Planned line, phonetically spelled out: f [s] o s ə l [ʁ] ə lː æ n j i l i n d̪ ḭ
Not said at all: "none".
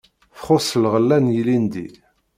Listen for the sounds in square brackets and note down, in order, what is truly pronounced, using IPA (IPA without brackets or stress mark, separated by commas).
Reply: χ, ʁ